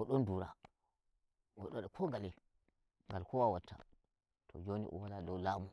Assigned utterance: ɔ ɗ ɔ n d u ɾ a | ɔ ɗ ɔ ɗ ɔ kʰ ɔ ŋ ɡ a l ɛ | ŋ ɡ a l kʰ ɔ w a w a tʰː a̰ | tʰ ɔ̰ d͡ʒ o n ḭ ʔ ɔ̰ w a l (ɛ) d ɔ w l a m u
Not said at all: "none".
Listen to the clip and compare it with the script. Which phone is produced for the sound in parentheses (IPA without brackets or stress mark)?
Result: a